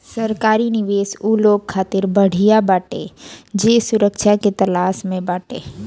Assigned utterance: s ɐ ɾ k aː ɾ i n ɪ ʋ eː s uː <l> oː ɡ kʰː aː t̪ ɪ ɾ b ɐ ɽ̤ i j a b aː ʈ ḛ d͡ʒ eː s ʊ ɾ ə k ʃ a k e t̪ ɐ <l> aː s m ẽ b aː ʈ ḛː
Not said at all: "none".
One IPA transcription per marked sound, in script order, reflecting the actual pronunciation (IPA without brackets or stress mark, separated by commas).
l, l